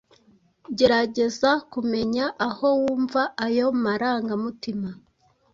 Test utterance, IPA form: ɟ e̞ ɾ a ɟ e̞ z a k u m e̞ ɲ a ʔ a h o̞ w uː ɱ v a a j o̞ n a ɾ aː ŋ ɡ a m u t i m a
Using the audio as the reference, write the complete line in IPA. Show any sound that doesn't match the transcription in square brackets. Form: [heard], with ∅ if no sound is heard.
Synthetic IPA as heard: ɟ e̞ ɾ a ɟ e̞ z a k u m e̞ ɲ a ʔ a h o̞ w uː ɱ v a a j o̞ [m] a ɾ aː ŋ ɡ a m u t i m a

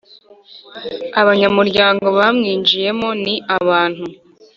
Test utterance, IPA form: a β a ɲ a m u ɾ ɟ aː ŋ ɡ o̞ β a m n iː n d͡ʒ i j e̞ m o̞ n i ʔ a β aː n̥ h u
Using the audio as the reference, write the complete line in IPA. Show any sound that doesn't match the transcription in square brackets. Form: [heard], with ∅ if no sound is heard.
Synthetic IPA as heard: a β a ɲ a m u ɾ ɟ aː ŋ ɡ o̞ β a m [ŋ] iː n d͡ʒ i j e̞ m o̞ n i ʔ a β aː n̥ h u

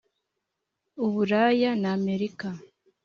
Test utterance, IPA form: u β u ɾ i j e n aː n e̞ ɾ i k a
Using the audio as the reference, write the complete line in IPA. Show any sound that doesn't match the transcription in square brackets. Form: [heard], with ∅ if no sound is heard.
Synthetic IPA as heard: u β u ɾ [a] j [a] n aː [m] e̞ ɾ i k a

